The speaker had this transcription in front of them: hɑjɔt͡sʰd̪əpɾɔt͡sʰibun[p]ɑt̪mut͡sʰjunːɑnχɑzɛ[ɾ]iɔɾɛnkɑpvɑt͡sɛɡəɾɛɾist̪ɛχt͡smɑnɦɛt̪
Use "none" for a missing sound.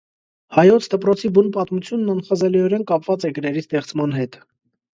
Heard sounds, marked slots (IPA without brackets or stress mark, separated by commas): p, l